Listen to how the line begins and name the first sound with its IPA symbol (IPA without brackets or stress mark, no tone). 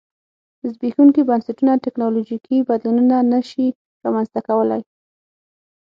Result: z